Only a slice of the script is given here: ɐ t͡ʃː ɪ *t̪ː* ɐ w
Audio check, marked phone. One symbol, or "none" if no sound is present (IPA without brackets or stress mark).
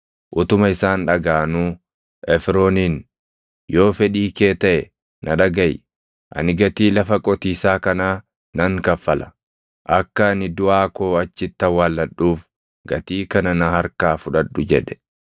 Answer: t̪ː